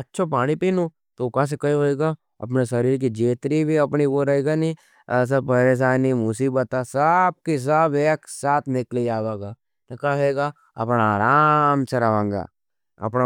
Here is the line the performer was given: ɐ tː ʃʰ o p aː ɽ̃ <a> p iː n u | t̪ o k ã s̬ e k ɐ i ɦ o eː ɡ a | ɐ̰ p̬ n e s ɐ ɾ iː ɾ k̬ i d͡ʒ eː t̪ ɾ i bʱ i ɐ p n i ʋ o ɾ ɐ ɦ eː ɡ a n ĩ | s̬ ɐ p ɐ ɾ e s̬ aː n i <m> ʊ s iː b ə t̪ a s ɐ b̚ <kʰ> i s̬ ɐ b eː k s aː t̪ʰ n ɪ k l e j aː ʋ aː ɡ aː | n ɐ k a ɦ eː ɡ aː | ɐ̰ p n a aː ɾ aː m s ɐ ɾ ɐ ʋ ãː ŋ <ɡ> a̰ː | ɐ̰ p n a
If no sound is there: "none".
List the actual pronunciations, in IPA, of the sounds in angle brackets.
i, m, k, ɡ

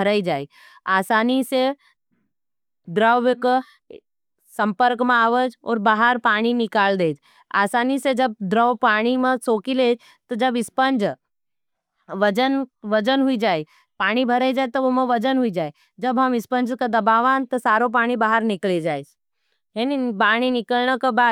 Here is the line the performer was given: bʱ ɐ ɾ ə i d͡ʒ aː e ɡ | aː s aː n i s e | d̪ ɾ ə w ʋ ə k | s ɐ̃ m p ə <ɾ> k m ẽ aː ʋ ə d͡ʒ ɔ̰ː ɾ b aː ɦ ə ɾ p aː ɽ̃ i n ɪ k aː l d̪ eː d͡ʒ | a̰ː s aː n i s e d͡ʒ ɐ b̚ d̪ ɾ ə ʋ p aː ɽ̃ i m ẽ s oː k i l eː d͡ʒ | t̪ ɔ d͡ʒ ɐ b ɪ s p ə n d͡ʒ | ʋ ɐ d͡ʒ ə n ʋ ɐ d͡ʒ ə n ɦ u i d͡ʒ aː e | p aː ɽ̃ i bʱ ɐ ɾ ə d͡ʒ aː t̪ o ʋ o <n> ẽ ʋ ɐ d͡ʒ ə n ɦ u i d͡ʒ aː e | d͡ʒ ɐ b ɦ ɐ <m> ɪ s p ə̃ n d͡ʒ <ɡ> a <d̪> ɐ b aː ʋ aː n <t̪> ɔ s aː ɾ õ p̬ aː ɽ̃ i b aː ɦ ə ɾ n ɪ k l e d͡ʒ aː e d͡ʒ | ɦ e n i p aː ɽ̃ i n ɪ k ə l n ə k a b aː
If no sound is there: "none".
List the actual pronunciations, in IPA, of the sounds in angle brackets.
ɾ, m, m, k, d̪, t̪

